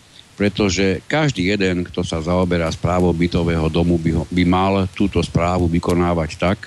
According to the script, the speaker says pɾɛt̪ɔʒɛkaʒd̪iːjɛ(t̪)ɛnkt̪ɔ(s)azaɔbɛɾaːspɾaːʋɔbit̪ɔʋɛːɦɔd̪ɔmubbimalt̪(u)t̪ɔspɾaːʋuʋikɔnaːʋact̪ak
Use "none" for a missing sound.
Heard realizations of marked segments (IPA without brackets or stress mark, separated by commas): d̪, s, uː